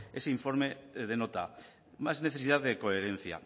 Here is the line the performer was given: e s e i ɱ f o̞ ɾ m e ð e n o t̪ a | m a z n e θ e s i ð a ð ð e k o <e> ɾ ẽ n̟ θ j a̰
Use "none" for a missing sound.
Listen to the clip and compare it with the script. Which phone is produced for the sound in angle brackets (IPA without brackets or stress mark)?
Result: e